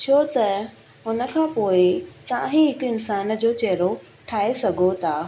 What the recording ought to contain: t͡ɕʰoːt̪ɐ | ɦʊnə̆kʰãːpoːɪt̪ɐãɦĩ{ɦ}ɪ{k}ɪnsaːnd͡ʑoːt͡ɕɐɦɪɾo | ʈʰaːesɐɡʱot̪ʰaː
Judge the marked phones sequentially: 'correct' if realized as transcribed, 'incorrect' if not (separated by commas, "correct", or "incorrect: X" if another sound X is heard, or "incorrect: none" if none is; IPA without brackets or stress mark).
correct, correct